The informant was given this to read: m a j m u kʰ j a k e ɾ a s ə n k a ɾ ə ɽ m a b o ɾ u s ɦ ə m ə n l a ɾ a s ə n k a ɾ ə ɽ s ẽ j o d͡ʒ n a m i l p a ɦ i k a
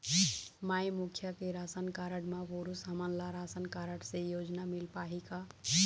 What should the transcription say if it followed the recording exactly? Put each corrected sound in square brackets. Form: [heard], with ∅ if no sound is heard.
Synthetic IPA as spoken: m a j m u kʰ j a k e ɾ a s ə n k a ɾ ə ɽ m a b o ɾ u s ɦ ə m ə n l a ɾ a s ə n k a ɾ ə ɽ s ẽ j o d͡ʒ n a m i l p a ɦ i k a